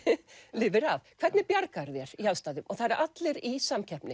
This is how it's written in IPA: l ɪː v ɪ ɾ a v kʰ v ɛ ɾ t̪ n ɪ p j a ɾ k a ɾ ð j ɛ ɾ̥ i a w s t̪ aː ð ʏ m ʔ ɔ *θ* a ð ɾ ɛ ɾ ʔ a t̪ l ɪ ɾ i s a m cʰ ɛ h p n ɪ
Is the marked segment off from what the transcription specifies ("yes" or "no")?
no